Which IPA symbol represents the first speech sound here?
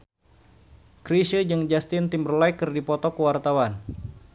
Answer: k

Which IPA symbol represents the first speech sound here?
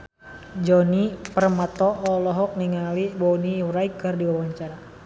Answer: d͡ʒ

